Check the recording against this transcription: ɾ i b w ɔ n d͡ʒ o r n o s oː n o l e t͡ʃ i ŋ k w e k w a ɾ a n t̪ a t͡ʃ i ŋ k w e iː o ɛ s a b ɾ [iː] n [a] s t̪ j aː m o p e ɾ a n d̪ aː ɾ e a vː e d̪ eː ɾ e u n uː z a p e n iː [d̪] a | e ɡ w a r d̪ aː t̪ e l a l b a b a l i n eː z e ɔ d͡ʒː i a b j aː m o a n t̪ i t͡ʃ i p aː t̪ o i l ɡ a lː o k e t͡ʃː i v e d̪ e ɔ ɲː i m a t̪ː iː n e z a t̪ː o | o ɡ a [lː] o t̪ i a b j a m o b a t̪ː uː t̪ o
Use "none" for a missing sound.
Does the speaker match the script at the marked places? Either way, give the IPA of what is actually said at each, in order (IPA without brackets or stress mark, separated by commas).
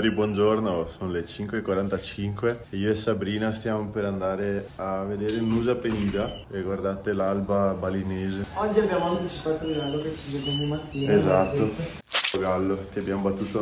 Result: iː, a, d̪, lː